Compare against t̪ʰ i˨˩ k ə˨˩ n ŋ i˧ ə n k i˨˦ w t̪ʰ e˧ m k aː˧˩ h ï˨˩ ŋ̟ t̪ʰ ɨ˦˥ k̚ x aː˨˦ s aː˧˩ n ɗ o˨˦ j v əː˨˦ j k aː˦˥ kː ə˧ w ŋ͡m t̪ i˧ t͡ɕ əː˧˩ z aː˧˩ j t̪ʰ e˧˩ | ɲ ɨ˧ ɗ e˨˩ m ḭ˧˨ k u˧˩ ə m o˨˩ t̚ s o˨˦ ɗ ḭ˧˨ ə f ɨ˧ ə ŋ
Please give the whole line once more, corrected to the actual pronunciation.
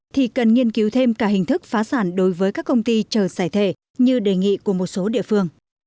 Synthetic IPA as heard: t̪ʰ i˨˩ k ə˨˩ n ŋ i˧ ə n k i˨˦ w t̪ʰ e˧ m k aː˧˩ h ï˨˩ ŋ̟ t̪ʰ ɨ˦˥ k̚ f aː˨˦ s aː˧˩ n ɗ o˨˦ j v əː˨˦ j k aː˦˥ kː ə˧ w ŋ͡m t̪ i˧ t͡ɕ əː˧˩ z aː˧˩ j t̪ʰ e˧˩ | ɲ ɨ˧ ɗ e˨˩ ŋ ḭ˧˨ k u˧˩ ə m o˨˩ t̚ s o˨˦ ɗ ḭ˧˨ ə f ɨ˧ ə ŋ